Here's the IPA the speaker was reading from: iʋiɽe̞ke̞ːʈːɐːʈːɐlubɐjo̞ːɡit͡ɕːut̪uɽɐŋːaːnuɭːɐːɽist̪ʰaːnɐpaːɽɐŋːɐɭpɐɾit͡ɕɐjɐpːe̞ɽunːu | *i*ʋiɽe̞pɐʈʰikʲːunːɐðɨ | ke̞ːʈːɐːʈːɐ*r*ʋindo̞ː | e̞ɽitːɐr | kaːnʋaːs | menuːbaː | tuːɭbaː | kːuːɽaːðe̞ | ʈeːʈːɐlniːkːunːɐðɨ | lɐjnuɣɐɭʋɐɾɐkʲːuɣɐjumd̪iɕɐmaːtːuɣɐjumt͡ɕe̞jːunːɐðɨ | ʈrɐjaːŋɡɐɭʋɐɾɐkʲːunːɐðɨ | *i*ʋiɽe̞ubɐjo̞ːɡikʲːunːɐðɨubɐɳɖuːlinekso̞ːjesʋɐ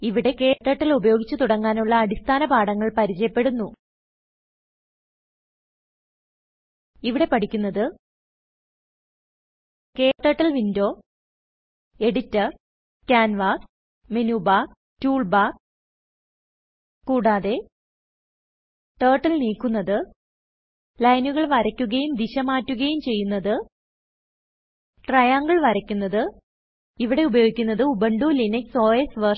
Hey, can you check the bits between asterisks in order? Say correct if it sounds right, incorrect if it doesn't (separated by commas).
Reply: correct, incorrect, correct